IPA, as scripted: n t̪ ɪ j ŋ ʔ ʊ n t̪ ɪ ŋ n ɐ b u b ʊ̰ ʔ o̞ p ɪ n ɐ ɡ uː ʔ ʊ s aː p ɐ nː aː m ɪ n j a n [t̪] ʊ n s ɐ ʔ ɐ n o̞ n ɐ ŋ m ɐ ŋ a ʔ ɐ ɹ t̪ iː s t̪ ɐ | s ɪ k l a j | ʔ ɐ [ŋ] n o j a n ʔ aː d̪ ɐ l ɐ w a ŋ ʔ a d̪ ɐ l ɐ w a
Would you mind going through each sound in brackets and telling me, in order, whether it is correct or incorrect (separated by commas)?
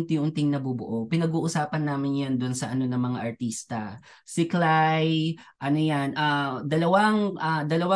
incorrect, incorrect